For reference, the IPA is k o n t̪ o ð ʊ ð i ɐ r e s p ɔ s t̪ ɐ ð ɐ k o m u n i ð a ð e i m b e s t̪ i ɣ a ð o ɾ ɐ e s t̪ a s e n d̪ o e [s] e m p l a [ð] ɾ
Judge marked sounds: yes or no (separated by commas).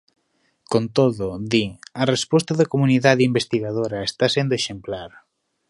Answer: no, no